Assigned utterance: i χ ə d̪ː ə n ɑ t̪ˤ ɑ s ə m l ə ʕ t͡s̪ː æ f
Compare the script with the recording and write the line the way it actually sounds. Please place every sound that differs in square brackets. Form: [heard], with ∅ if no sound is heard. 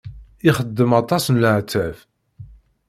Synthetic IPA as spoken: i χ ə d̪ː ə [m] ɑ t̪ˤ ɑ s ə [n] l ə ʕ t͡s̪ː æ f